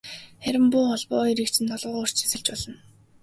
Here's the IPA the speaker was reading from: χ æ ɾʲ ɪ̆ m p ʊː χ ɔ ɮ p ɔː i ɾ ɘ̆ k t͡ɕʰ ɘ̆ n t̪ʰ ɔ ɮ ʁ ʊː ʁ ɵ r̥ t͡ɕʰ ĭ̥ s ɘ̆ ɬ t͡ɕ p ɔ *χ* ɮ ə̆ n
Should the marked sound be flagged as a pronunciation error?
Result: yes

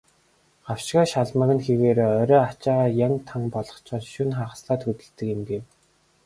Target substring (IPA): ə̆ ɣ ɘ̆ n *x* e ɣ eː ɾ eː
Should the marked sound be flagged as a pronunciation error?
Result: no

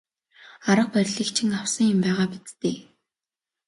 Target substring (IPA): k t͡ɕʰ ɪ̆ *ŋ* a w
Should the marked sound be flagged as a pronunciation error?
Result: no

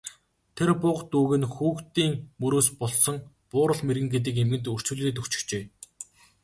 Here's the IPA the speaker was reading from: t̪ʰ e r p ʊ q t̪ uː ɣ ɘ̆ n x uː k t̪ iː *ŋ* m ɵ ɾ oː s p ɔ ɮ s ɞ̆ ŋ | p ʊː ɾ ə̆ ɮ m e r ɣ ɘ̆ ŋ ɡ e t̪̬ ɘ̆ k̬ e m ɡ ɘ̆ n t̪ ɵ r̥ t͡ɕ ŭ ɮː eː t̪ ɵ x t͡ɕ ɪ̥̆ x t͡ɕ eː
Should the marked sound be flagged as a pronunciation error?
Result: no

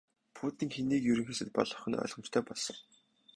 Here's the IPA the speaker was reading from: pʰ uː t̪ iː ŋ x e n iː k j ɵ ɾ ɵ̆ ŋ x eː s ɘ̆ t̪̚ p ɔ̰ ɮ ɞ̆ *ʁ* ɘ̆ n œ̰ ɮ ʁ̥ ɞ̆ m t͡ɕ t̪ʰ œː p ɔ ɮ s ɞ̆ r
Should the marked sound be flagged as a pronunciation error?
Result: yes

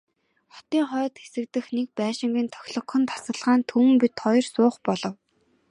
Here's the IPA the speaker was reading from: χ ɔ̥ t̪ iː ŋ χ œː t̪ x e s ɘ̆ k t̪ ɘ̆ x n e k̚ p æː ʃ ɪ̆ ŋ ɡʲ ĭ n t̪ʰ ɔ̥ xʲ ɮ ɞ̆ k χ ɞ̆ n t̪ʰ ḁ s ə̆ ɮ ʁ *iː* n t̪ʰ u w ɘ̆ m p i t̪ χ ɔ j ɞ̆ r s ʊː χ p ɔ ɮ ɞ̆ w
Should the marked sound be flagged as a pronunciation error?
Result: yes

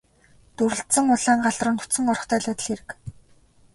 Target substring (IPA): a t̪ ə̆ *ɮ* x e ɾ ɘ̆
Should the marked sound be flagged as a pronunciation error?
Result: no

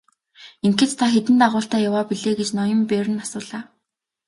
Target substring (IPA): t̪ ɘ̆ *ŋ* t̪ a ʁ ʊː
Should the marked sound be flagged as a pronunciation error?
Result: yes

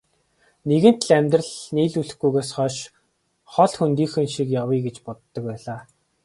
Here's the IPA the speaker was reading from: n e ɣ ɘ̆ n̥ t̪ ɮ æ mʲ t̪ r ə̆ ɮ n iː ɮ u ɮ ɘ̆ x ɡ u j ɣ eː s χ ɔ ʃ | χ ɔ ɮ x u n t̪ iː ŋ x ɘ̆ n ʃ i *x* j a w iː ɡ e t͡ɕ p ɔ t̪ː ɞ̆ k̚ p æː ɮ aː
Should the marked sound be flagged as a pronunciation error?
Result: yes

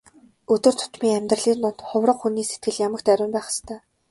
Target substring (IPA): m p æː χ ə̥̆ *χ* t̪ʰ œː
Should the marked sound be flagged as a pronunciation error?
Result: yes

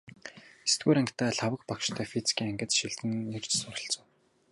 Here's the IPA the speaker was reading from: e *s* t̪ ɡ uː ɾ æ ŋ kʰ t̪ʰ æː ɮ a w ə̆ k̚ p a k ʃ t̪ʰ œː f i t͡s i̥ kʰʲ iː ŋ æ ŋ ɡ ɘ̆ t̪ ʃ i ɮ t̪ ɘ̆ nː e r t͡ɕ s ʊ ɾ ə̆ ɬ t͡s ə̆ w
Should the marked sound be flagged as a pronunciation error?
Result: no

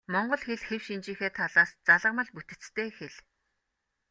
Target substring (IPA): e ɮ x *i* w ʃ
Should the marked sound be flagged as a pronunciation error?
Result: yes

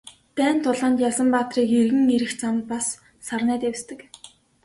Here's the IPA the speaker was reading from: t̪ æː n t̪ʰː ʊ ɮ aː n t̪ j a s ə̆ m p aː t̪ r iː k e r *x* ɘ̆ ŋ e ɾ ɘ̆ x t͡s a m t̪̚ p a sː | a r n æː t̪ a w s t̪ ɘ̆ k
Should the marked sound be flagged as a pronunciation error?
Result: yes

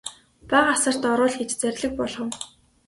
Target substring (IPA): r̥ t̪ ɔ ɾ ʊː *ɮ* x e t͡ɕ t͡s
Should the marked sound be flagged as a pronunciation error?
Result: no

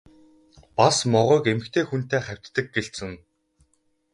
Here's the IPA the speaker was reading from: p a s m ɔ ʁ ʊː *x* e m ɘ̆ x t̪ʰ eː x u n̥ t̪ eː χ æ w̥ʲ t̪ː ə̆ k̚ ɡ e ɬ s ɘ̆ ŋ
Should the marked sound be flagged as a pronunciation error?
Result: yes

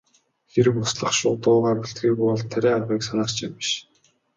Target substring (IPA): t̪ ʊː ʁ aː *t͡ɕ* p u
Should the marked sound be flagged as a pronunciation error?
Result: yes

